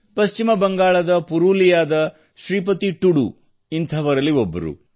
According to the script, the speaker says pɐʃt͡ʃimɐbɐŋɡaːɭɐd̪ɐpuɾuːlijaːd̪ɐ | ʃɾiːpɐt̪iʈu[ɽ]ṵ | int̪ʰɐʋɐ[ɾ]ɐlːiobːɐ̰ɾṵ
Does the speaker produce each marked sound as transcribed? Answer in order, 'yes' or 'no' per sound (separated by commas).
yes, yes